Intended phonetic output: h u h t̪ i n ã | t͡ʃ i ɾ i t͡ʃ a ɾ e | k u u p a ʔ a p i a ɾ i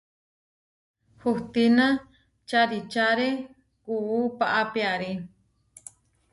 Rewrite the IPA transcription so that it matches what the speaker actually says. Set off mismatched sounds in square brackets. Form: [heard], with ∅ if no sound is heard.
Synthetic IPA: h u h t̪ i n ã | t͡ʃ [a] ɾ i t͡ʃ a ɾ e | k u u p a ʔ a p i a ɾ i